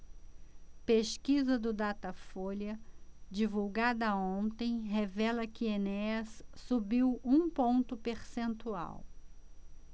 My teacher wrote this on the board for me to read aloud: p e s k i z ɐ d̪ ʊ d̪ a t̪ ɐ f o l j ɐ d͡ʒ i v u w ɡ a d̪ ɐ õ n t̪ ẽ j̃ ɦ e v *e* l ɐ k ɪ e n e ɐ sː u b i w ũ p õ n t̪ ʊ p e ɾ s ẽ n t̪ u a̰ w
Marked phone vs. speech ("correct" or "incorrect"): incorrect